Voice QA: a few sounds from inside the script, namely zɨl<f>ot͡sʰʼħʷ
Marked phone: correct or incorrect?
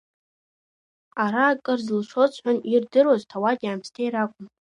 incorrect